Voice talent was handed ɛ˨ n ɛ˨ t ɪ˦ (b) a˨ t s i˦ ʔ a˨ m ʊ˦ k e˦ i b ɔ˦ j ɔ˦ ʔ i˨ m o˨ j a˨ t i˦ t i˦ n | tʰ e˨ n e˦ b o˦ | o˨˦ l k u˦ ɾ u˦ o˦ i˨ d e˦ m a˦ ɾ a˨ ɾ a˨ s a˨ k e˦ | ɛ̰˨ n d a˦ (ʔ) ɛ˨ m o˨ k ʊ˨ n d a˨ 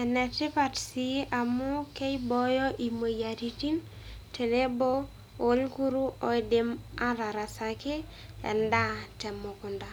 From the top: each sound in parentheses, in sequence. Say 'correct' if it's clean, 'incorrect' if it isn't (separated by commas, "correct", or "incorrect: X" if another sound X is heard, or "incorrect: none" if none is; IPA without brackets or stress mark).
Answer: incorrect: p, incorrect: t